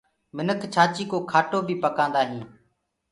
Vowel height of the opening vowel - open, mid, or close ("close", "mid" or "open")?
close